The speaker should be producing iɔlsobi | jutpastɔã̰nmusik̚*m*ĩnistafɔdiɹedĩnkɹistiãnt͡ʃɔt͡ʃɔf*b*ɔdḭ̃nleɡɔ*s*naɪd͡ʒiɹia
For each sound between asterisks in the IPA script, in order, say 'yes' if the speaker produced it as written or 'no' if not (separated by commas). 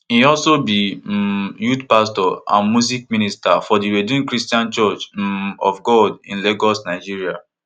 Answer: yes, no, yes